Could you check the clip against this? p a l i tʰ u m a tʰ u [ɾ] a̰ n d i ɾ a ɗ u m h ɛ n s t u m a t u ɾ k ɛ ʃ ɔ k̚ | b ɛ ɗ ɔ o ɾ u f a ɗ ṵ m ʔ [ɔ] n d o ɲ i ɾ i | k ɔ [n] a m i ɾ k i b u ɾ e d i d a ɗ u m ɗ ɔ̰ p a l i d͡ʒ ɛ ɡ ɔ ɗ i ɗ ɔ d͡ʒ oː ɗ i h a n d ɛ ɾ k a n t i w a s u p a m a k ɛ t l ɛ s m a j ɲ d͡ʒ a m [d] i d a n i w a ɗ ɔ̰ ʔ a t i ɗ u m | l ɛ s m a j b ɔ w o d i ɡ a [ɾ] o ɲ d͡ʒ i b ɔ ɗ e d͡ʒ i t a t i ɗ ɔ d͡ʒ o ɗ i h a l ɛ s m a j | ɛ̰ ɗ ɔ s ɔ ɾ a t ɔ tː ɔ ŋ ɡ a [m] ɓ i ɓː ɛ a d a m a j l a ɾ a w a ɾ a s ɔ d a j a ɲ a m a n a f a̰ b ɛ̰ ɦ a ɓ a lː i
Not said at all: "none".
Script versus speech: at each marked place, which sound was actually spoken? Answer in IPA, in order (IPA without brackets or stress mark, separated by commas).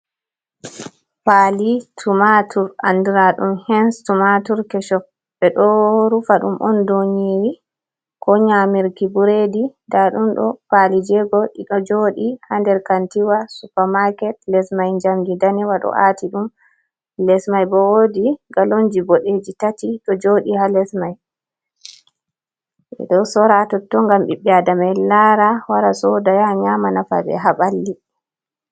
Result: ɾ, ɔ, ɲ, ɡ, l, m